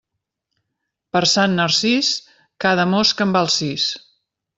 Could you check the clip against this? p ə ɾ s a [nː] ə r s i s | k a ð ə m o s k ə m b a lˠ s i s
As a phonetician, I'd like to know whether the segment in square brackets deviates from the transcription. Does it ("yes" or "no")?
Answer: no